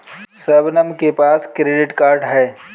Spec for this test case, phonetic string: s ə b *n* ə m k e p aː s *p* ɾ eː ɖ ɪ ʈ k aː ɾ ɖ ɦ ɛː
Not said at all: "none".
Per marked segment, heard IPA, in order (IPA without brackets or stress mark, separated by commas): n, k